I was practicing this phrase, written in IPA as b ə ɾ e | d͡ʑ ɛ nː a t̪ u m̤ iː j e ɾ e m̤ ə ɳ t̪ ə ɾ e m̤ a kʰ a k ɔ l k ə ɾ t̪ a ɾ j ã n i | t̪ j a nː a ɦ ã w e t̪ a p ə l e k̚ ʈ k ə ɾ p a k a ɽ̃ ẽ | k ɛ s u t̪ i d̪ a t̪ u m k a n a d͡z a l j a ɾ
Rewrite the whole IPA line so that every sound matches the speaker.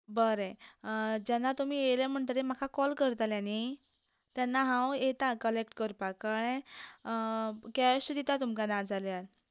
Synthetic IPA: b ə ɾ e | d͡ʑ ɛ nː a t̪ u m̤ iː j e l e m̤ ə ɳ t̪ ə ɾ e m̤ a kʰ a k ɔ l k ə ɾ t̪ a l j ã n i | t̪ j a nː a ɦ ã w e t̪ a k ə l e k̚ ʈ k ə ɾ p a k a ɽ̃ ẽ | k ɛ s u d̪ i t̪ a t̪ u m k a n a d͡z a l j a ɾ